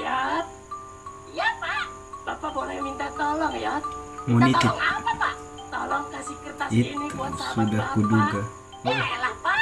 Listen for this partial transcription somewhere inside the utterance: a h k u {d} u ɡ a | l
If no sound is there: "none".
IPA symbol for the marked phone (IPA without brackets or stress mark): d